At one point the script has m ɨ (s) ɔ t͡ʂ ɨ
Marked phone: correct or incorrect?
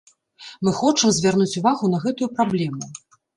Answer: incorrect